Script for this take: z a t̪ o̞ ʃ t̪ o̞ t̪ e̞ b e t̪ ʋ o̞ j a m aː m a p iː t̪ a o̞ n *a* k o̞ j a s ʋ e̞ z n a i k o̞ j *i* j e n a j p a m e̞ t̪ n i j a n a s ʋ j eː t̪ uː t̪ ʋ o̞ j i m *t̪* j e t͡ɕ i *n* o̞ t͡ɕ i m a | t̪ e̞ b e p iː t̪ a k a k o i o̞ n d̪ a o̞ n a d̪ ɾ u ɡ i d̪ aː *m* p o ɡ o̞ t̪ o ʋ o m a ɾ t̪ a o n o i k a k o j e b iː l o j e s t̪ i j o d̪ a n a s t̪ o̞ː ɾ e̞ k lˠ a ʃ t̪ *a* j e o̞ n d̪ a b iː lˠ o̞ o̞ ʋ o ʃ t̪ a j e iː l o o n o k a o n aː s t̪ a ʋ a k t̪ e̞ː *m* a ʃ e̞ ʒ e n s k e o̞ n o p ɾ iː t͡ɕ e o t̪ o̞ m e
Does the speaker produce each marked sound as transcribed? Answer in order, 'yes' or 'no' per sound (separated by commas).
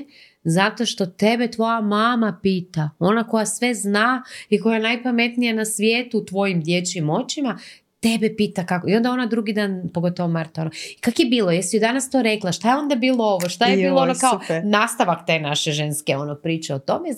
yes, no, no, no, no, yes, no